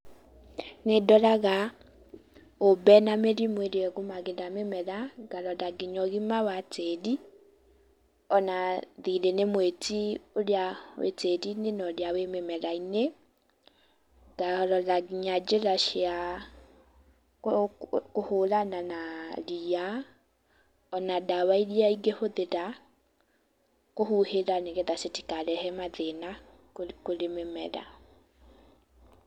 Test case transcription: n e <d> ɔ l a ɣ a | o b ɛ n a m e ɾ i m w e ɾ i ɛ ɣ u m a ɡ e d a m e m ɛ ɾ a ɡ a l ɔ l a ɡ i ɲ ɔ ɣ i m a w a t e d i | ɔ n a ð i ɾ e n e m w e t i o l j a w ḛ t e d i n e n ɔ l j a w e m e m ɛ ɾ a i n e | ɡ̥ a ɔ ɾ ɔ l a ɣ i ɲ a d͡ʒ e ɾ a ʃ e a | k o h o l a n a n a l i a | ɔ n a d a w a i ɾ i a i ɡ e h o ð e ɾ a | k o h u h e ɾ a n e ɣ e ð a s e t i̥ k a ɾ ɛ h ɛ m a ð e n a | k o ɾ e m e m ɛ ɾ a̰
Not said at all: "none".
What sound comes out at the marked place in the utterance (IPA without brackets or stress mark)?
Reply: d